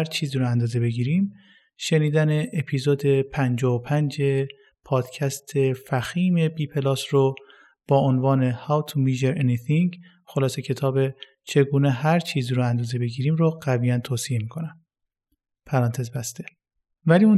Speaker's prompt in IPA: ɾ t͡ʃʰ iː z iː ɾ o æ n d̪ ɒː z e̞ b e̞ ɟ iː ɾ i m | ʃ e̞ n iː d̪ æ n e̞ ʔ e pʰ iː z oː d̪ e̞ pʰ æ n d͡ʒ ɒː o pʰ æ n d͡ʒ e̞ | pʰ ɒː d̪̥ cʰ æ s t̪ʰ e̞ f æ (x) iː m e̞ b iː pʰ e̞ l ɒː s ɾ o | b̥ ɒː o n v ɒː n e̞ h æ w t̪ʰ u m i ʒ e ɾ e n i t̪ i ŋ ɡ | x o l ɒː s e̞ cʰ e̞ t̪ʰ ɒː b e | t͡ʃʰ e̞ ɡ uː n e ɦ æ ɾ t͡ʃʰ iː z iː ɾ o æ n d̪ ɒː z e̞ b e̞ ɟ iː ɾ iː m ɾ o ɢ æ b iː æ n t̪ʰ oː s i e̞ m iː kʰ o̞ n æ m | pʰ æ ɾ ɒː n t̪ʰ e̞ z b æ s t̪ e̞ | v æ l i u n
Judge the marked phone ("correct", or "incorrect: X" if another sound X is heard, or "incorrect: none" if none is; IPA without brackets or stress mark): correct